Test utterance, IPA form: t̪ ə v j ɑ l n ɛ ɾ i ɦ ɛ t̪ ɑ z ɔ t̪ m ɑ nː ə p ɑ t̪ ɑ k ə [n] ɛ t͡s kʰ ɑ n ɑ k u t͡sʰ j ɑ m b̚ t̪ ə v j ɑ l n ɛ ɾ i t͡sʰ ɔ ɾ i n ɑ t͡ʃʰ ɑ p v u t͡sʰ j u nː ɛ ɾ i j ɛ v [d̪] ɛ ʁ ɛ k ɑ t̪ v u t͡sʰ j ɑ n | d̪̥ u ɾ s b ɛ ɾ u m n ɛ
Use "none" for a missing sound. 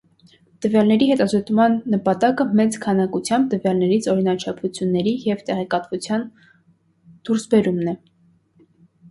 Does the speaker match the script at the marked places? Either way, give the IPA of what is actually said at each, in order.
m, t̪

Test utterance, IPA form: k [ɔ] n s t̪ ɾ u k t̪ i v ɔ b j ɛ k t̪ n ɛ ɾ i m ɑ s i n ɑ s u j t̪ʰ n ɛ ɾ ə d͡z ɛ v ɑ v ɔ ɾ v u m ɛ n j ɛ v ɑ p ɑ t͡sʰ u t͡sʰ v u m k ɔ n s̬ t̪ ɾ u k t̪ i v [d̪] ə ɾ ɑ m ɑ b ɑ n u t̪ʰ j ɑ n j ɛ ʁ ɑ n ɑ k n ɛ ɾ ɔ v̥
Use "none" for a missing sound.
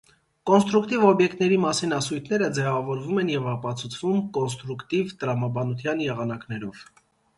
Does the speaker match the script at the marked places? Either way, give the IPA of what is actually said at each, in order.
ɔ, t̪

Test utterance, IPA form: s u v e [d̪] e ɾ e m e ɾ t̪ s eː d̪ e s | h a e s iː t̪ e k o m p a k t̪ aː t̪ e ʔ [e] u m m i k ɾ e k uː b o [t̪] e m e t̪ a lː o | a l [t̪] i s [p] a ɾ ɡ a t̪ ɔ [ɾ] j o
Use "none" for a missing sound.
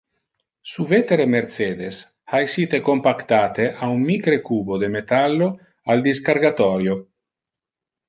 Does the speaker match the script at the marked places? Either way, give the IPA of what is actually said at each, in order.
t̪, a, d̪, d̪, k, ɾ

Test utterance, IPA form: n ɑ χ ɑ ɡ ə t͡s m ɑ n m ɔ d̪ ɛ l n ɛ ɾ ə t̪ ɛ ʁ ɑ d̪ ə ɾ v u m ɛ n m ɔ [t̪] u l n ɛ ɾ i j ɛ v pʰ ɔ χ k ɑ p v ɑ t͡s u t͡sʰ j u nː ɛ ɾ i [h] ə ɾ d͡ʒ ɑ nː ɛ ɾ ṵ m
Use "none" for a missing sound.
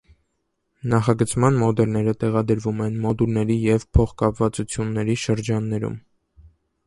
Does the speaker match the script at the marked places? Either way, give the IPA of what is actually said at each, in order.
d̪, ʃ

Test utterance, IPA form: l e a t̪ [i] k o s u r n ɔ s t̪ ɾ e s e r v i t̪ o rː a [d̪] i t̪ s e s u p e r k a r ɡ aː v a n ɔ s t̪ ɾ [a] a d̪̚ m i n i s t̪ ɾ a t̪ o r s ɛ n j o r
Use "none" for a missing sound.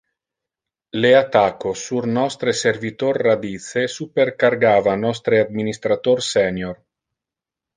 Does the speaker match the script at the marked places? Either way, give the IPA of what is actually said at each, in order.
a, d̪, e

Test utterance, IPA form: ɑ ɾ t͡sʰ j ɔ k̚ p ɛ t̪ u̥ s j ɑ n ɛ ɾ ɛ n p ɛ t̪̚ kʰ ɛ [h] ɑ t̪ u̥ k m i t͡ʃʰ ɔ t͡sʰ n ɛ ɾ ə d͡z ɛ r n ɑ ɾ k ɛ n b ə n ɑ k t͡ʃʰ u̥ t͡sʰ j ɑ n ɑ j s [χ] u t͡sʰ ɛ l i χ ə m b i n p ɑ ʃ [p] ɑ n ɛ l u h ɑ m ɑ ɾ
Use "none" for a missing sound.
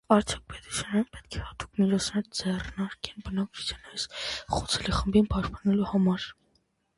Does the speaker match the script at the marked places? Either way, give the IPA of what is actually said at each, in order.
h, χ, p

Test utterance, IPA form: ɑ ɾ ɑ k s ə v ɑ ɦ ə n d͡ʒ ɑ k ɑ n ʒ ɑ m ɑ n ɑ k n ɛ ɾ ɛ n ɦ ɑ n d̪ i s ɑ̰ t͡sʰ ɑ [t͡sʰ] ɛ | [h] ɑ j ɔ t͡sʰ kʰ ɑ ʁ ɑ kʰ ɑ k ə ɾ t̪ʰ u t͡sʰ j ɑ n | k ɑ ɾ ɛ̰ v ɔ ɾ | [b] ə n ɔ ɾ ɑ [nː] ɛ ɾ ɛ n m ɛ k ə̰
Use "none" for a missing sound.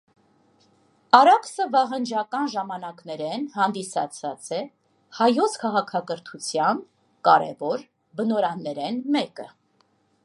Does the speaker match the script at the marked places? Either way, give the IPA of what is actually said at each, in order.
t͡s, h, b, nː

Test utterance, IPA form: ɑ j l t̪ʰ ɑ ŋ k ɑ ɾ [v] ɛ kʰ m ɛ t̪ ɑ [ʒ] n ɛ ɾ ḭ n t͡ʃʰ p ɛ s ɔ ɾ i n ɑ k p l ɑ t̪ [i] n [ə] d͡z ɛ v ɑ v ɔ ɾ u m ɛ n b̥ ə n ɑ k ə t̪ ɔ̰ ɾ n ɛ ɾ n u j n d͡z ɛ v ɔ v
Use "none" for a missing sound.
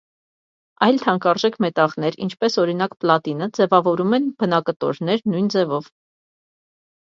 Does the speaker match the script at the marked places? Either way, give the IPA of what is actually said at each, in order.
ʒ, ʁ, i, ə

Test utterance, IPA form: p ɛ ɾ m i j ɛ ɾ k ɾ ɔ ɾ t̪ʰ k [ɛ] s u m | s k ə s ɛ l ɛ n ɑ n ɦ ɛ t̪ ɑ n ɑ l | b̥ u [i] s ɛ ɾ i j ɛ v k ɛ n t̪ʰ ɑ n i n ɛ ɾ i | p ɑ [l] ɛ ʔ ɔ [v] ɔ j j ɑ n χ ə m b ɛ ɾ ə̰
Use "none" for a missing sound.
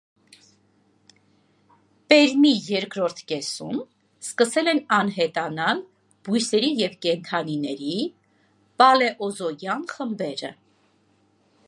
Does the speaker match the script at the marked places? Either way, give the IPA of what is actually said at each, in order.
ɛ, j, l, z

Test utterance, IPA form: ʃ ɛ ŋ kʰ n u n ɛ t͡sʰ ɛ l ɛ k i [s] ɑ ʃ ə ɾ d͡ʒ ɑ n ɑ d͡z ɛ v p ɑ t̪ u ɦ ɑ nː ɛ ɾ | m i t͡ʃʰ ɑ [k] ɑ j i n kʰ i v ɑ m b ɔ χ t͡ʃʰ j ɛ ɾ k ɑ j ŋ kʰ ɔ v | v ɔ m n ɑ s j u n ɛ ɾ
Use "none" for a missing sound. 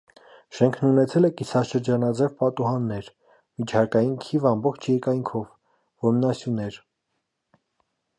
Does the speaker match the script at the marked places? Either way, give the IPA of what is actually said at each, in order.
s, k

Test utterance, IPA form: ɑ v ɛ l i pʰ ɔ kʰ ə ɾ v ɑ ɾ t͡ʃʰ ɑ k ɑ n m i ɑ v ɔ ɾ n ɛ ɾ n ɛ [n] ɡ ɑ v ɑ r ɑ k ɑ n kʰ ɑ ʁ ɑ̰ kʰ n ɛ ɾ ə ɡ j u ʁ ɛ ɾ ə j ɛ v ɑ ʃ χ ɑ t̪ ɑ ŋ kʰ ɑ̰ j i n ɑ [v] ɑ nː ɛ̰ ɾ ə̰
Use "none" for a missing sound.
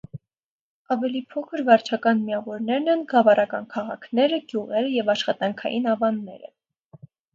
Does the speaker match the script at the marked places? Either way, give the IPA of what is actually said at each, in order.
n, v

